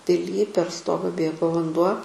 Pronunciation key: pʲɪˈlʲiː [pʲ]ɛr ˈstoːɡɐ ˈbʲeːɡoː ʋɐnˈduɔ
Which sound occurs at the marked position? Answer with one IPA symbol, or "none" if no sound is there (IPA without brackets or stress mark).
pʲ